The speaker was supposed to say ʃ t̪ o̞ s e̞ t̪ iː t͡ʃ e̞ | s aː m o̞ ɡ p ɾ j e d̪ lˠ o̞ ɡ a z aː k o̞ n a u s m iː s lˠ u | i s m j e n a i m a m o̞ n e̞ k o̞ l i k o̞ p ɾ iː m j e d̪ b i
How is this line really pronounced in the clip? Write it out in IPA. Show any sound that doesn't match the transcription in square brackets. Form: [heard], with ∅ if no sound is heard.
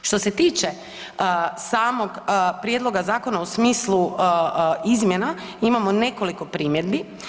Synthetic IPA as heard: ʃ t̪ o̞ s e̞ t̪ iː t͡ʃ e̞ | s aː m o̞ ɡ p ɾ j e d̪ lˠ o̞ ɡ a z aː k o̞ n a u s m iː s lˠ u | i [z] m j e n a i m a m o̞ n e̞ k o̞ l i k o̞ p ɾ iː m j e d̪ b i

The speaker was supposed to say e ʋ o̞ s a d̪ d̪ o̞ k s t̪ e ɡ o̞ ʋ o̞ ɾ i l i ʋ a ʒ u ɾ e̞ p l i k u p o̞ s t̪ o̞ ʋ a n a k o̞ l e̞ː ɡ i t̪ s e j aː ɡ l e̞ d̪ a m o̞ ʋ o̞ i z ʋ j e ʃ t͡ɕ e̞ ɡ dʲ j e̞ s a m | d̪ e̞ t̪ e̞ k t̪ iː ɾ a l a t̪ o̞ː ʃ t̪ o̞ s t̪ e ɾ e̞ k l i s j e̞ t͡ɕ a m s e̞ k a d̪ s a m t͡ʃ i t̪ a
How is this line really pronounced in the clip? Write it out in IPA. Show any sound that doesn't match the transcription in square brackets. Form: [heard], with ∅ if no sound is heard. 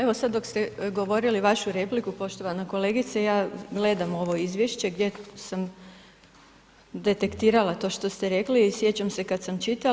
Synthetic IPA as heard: e ʋ o̞ s a d̪ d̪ o̞ k s t̪ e ɡ o̞ ʋ o̞ ɾ i l i ʋ a [ʃ] u ɾ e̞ p l i k u p o̞ [ʃ] t̪ o̞ ʋ a n a k o̞ l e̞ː ɡ i t̪ s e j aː ɡ l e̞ d̪ a m o̞ ʋ o̞ i z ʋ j e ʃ t͡ɕ e̞ ɡ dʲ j e̞ s a m | d̪ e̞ t̪ e̞ k t̪ iː ɾ a l a t̪ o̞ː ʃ t̪ o̞ s t̪ e ɾ e̞ k l i s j e̞ t͡ɕ a m s e̞ k a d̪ s a m t͡ʃ i t̪ a

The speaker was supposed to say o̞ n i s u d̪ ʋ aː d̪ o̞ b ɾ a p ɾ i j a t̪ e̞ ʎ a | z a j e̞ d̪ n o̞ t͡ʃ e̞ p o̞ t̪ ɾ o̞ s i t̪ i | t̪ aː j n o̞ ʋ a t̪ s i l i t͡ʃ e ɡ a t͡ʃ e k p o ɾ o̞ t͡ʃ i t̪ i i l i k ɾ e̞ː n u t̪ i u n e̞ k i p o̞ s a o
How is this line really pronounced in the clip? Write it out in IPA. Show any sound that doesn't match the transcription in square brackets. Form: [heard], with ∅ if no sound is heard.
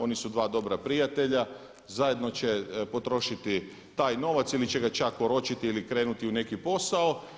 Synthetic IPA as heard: o̞ n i s u d̪ ʋ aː d̪ o̞ b ɾ a p ɾ i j a t̪ e̞ ʎ a | z a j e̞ d̪ n o̞ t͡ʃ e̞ p o̞ t̪ ɾ o̞ [ʃ] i t̪ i | t̪ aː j n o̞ ʋ a t̪ s i l i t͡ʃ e ɡ a t͡ʃ [a] k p o ɾ o̞ t͡ʃ i t̪ i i l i k ɾ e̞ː n u t̪ i u n e̞ k i p o̞ s a o

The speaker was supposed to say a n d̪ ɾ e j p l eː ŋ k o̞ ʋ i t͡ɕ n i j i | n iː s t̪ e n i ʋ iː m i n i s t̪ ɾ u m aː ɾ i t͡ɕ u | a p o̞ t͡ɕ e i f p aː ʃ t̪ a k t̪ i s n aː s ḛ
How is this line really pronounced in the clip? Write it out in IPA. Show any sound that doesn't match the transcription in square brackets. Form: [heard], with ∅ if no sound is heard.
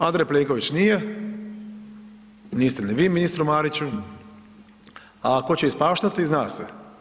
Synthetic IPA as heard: a n d̪ ɾ e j p l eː ŋ k o̞ ʋ i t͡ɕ n i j [e] | n iː s t̪ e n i ʋ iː m i n i s t̪ ɾ u m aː ɾ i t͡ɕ u | a [k] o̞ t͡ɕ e i [s] p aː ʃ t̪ a [∅] t̪ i [z] n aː s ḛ

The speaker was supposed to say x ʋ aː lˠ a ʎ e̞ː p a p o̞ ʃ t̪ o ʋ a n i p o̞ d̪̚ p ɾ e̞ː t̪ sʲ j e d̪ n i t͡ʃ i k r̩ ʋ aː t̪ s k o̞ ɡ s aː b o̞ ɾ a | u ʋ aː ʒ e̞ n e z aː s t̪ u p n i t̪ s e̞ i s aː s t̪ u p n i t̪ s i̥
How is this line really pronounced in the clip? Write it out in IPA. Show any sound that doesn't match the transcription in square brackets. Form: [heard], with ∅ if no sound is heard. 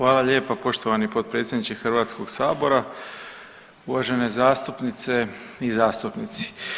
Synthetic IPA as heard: x ʋ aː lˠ a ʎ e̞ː p a p o̞ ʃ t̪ o ʋ a n i p o̞ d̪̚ p ɾ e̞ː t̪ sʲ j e d̪ n i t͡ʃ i [x] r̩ ʋ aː t̪ s k o̞ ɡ s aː b o̞ ɾ a | u ʋ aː ʒ e̞ n e z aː s t̪ u p n i t̪ s e̞ i [z] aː s t̪ u p n i t̪ s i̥

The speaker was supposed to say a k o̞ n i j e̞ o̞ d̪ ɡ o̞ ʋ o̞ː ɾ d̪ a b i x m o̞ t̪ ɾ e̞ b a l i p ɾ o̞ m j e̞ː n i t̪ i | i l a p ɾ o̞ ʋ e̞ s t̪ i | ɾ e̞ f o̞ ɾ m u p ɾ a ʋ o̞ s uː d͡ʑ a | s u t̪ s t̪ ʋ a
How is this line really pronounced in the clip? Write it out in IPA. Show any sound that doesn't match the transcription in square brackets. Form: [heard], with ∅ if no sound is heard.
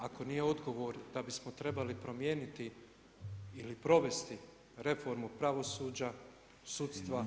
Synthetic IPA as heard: a k o̞ n i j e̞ o̞ d̪ ɡ o̞ ʋ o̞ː ɾ d̪ a b i [s] m o̞ t̪ ɾ e̞ b a l i p ɾ o̞ m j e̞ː n i t̪ i | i l [i] p ɾ o̞ ʋ e̞ s t̪ i | ɾ e̞ f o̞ ɾ m u p ɾ a ʋ o̞ s uː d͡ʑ a | s u t̪ s t̪ ʋ a

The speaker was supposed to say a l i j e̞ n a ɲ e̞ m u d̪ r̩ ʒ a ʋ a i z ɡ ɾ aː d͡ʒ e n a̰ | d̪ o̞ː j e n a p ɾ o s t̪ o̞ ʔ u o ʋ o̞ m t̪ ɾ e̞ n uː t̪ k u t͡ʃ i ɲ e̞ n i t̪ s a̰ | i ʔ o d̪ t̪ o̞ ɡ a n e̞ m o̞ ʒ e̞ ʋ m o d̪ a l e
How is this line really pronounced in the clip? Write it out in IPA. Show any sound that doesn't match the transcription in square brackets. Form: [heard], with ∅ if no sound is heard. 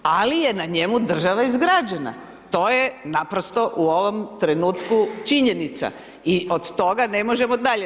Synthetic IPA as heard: a l i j e̞ n a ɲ e̞ m u d̪ r̩ ʒ a ʋ a i z ɡ ɾ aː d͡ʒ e n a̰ | [t̪] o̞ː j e n a p ɾ o s t̪ o̞ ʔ u o ʋ o̞ m t̪ ɾ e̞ n uː t̪ k u t͡ʃ i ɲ e̞ n i t̪ s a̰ | i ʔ o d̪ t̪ o̞ ɡ a n e̞ m o̞ ʒ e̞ [∅] m o d̪ a [ʎ] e

